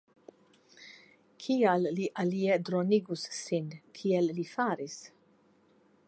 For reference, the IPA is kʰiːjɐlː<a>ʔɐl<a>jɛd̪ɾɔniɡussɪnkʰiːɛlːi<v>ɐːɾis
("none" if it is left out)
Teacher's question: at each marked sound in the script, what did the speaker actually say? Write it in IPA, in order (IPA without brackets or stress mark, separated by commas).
i, i, f